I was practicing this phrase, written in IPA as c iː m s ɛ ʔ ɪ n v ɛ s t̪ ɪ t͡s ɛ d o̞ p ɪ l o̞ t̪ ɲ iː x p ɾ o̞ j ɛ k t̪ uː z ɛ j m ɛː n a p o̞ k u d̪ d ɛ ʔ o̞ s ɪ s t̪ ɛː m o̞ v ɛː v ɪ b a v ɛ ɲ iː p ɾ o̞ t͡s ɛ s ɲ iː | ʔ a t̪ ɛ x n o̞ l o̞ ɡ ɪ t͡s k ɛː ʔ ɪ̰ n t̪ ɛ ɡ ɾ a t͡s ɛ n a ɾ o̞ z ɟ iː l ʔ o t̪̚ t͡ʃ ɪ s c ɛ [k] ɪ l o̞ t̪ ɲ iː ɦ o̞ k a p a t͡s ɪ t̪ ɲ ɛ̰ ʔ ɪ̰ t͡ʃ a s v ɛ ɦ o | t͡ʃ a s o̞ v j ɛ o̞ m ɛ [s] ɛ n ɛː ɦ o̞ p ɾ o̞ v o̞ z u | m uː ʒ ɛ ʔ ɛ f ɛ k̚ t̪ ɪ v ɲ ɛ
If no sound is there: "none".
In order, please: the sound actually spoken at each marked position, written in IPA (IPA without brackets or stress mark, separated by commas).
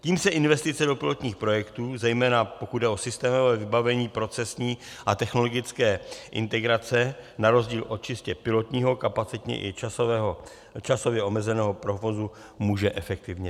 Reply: p, z